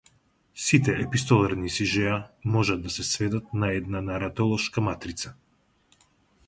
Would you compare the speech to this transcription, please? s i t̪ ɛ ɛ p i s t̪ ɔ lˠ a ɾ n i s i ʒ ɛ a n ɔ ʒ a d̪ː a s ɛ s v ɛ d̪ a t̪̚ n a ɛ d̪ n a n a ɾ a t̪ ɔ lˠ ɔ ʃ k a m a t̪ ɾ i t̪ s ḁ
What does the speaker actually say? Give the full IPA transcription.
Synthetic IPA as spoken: s i t̪ ɛ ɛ p i s t̪ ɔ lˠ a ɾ n i s i ʒ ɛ a m ɔ ʒ a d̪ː a s ɛ s v ɛ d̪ a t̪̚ n a ɛ d̪ n a n a ɾ a t̪ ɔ lˠ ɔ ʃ k a m a t̪ ɾ i t̪ s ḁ